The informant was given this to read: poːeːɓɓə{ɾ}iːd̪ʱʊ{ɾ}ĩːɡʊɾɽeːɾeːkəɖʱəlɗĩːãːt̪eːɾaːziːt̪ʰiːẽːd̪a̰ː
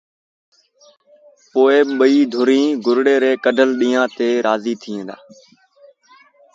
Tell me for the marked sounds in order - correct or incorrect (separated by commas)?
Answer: incorrect, correct